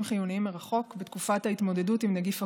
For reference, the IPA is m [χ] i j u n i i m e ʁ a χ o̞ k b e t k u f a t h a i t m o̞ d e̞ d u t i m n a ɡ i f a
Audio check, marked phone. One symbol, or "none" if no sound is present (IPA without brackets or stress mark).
χ